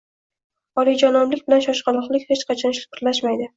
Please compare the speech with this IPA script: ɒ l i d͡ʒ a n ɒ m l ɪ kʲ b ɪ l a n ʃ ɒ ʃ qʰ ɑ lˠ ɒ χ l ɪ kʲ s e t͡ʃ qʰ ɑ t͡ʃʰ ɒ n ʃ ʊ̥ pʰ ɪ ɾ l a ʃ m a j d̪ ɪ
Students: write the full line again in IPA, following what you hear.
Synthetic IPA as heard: ɒ l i d͡ʒ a n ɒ m l ɪ kʲ b ɪ l a n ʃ ɒ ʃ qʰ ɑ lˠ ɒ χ l ɪ kʲ h e t͡ʃ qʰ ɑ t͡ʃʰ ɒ n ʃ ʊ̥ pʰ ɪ ɾ l a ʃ m a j d̪ ɪ